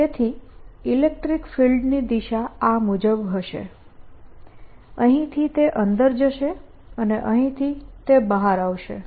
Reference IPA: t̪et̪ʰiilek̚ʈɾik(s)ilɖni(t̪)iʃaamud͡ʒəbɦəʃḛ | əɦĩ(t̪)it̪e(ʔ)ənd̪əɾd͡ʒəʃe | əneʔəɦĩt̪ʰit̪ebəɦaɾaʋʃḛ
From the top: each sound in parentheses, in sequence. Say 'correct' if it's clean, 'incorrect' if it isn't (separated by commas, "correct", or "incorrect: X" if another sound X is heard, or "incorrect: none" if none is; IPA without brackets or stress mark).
incorrect: f, incorrect: d̪, incorrect: t̪ʰ, correct